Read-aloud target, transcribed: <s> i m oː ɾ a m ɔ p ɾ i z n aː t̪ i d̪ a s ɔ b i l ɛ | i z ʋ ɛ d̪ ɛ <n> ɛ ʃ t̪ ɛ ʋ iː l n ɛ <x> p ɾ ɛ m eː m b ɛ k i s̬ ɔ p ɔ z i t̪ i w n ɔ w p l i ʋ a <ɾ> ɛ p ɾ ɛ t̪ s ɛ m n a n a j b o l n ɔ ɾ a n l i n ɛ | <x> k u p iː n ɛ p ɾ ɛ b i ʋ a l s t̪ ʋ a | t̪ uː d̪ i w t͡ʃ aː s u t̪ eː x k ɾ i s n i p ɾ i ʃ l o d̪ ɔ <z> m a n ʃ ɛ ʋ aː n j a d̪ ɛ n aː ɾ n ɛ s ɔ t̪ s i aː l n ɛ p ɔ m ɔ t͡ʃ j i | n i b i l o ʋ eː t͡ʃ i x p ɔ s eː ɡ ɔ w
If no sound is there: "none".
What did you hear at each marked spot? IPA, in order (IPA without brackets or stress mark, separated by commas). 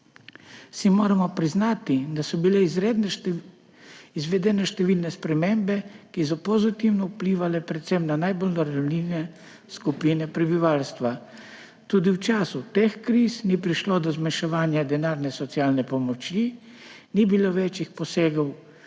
s, n, s, l, s, z